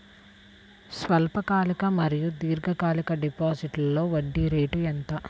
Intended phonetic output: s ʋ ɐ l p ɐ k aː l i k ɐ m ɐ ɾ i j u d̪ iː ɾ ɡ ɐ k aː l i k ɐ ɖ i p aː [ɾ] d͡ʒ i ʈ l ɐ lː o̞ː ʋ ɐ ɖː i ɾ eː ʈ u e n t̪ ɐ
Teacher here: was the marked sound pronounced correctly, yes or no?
no